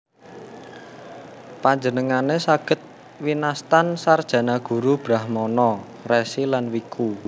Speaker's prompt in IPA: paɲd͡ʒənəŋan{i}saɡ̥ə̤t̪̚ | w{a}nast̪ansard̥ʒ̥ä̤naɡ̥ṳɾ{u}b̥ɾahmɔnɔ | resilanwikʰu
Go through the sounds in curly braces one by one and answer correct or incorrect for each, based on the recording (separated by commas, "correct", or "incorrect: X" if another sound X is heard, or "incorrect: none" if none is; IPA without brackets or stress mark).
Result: incorrect: e, incorrect: i, correct